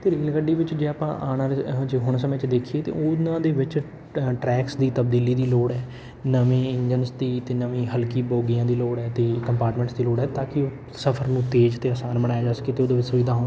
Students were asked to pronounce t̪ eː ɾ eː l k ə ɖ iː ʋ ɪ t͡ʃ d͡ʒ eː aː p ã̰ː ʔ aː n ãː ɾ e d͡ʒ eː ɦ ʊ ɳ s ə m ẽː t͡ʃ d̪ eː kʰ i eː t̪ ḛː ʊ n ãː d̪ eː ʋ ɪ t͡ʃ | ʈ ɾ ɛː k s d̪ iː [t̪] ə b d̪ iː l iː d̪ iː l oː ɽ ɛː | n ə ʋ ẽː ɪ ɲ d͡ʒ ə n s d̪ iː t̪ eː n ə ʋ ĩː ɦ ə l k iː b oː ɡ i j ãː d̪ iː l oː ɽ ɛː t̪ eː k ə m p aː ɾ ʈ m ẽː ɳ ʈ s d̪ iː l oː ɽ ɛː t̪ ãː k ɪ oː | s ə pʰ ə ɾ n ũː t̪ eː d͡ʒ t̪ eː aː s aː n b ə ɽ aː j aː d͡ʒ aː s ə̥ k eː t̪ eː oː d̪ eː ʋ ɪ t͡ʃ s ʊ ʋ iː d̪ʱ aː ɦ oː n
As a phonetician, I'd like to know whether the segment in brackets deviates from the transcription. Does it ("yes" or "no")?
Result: no